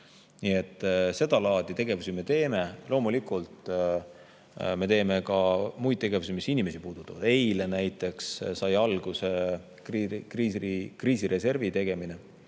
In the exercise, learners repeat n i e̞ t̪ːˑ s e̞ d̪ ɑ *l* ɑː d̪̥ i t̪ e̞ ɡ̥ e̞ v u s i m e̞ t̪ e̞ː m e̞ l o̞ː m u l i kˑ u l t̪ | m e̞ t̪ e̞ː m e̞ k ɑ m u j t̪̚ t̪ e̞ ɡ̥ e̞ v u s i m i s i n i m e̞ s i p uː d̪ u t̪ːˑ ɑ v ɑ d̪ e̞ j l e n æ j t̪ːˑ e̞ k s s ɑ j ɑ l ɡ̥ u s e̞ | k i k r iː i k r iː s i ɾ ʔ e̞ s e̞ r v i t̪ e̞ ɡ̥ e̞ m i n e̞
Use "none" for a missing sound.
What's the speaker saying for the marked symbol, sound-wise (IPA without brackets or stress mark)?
l